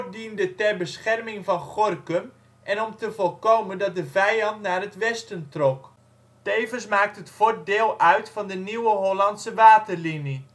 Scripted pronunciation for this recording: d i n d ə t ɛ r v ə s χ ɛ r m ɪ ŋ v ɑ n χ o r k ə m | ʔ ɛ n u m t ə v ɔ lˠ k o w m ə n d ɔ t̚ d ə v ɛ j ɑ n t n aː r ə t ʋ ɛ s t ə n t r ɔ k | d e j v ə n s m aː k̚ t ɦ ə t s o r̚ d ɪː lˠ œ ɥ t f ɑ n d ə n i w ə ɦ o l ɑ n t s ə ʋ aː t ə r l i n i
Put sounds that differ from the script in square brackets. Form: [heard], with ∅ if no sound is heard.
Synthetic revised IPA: d i n d ə t ɛ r [b] ə s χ ɛ r m ɪ ŋ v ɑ n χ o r k ə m | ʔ ɛ n [ɔ] m t ə v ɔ lˠ k o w m ə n d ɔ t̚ d ə v ɛ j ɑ n t n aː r ə t ʋ ɛ s t ə n t r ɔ k | [t] e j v ə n s m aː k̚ t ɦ ə t [f] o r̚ d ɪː lˠ œ ɥ t f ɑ n d ə n i w ə ɦ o l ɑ n t s ə ʋ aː t ə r l i n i